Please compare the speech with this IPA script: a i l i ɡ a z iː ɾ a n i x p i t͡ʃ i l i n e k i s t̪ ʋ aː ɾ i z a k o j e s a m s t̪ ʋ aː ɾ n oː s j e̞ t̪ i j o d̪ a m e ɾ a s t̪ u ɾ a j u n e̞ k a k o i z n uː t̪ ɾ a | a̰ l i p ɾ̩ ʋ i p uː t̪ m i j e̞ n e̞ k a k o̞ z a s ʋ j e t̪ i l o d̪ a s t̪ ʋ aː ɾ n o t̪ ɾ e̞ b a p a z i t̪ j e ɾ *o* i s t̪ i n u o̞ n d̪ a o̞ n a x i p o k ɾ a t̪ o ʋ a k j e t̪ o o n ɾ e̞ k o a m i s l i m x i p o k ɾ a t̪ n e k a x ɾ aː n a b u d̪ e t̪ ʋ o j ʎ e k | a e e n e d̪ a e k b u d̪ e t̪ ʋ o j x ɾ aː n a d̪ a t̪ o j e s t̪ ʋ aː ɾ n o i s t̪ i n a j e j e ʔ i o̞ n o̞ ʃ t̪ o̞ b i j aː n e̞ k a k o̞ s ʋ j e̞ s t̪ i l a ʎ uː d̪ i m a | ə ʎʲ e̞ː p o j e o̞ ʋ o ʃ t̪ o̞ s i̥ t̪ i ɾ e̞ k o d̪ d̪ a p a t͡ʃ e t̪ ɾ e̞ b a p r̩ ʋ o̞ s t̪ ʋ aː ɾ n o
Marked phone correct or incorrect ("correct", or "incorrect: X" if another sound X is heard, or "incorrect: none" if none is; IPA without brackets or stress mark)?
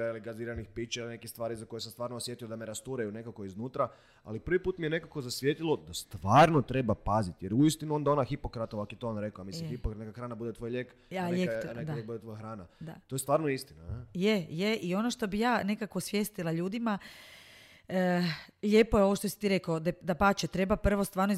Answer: incorrect: u